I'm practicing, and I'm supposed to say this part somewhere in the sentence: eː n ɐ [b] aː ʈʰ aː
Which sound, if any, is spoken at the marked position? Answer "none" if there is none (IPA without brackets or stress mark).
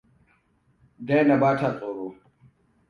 b